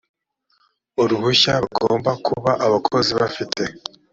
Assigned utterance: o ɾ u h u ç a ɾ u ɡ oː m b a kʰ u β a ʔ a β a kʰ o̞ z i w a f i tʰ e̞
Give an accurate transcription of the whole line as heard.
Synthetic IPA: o ɾ u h u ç a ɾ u ɡ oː m b a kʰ u β a ʔ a β a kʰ o̞ z i β a f i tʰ e̞